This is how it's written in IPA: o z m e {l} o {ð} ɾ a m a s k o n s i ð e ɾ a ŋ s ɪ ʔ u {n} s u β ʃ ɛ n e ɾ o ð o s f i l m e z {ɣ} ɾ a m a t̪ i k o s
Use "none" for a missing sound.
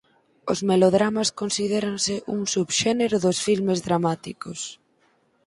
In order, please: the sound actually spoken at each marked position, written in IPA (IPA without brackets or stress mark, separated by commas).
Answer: l, ð, ŋ, ð